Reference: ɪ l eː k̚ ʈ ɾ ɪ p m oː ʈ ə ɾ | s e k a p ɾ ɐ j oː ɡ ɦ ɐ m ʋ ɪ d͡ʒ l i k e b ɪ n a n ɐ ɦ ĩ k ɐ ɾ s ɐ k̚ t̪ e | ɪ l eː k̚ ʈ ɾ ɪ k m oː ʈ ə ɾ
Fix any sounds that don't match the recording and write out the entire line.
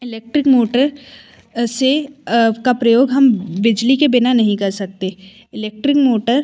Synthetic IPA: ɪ l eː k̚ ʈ ɾ ɪ k m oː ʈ ə ɾ | s e k a p ɾ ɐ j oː ɡ ɦ ɐ m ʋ ɪ d͡ʒ l i k e b ɪ n a n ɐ ɦ ĩ k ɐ ɾ s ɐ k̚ t̪ e | ɪ l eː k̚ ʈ ɾ ɪ k m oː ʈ ə ɾ